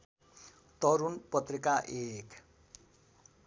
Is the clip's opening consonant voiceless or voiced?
voiceless